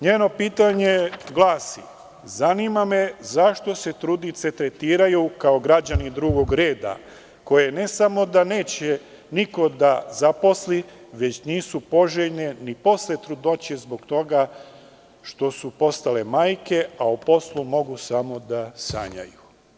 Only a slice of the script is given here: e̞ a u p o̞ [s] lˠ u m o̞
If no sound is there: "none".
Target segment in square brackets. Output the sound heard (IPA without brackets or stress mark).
s